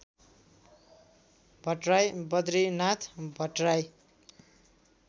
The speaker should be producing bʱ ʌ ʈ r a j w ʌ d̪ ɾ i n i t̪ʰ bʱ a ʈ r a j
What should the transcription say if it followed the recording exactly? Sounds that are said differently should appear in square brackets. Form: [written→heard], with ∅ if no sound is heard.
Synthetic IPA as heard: bʱ ʌ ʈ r a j [w→b] ʌ d̪ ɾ i n [i→a] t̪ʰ bʱ [a→ʌ] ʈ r a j